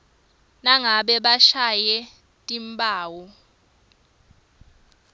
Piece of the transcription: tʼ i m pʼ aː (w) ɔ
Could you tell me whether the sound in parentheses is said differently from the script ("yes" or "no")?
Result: no